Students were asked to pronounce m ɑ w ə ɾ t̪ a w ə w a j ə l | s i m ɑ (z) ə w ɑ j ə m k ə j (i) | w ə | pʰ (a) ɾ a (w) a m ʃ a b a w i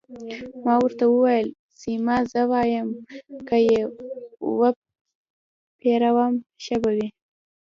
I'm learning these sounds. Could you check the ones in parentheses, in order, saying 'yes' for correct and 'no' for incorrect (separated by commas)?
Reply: yes, no, no, yes